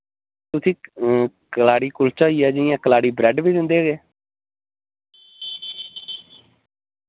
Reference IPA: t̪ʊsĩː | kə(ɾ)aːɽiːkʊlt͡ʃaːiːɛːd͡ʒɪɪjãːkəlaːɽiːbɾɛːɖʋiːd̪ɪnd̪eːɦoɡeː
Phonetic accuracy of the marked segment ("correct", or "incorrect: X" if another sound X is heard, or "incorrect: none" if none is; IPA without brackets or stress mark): incorrect: l